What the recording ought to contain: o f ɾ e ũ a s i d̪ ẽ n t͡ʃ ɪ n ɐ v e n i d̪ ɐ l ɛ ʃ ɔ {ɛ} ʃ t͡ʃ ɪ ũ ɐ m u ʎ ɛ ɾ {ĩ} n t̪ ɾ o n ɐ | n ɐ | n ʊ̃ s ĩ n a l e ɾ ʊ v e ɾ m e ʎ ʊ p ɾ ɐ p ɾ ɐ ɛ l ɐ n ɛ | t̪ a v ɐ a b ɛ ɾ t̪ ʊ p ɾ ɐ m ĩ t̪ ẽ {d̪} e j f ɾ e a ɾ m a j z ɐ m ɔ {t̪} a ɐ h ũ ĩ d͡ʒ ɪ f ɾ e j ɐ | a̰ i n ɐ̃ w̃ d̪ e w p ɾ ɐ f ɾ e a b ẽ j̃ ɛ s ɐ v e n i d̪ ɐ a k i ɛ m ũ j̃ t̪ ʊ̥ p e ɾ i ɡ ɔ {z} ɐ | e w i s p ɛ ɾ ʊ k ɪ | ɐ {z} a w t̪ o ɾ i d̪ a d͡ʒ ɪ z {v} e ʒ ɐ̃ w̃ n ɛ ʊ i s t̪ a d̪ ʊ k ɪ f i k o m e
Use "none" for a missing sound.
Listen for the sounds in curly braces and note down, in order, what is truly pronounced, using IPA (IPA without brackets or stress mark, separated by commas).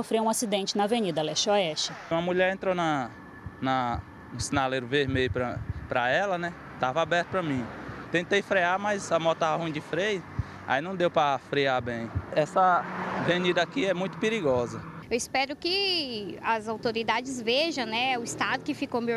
ɛ, ẽ, t̪, t̪, z, z, v